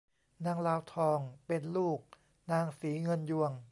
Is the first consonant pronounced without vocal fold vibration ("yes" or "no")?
no